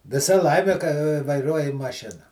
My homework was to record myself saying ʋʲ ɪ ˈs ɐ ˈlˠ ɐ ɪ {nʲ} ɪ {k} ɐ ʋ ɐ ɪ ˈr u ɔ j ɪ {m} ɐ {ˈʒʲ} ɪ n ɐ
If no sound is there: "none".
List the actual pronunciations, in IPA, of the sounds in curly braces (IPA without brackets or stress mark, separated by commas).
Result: mʲ, k, m, ʃʲ